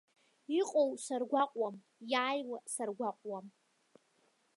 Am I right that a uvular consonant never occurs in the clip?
no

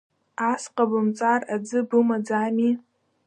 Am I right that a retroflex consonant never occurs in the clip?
yes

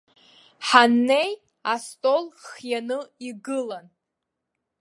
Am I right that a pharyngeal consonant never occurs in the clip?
no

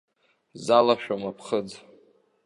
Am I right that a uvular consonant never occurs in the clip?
no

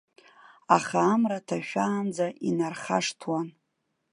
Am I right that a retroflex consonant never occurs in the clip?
no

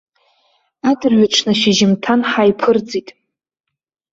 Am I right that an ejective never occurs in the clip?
no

